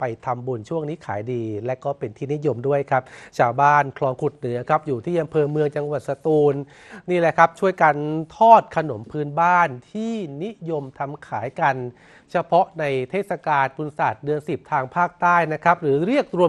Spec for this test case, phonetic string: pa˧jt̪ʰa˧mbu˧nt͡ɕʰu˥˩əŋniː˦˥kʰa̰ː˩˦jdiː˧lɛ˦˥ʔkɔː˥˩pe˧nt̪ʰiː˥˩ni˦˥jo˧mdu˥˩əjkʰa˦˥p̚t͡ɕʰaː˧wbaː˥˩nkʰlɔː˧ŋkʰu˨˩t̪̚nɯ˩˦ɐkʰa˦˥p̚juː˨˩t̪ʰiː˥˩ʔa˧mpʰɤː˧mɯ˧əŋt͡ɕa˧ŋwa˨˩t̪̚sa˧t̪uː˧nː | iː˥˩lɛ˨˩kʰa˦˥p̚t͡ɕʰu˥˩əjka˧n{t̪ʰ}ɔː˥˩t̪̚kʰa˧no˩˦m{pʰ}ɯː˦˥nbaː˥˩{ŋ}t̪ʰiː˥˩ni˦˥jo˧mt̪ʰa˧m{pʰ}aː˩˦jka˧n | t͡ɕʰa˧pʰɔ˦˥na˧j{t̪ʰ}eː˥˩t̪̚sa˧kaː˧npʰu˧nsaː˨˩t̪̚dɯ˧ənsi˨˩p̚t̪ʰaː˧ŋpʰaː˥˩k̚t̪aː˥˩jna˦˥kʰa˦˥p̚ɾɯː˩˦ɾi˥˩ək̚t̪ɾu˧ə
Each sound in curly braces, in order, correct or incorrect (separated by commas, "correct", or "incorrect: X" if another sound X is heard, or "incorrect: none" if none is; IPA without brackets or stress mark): correct, correct, incorrect: n, incorrect: kʰ, correct